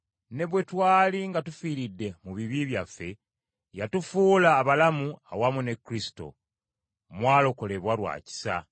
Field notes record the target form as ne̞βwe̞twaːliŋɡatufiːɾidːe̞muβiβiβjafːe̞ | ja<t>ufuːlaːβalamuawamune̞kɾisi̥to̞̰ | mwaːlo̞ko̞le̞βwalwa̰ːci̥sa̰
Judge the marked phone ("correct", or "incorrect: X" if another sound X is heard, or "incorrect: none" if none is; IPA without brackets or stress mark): correct